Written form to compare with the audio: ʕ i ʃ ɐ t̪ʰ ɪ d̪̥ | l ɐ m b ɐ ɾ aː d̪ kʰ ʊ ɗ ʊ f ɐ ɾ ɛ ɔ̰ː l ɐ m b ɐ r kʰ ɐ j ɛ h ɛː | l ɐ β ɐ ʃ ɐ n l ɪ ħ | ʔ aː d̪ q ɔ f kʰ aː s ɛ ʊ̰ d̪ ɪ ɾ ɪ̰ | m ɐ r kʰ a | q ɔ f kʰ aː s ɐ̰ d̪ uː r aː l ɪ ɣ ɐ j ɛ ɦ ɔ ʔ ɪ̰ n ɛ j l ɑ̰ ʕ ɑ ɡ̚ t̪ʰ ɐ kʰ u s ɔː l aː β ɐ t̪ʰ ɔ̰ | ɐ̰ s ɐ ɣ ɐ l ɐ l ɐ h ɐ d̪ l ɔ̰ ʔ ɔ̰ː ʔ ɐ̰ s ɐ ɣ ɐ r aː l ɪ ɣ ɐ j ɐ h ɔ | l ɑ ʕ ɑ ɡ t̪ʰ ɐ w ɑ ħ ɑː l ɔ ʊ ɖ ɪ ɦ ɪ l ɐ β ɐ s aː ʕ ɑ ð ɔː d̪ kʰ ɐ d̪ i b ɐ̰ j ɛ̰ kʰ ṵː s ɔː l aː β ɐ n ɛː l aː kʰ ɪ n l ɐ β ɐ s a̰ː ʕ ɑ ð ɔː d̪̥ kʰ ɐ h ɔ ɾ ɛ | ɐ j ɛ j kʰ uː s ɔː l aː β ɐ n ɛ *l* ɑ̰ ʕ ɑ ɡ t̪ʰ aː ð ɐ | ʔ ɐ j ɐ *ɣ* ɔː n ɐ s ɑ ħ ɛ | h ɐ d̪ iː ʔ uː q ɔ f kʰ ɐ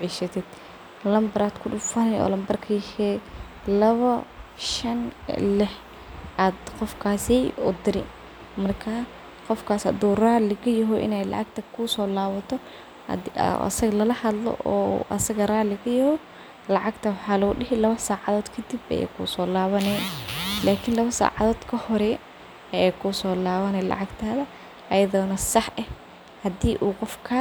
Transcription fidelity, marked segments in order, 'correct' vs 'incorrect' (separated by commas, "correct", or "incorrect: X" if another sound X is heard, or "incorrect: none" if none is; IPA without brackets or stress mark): correct, incorrect: ð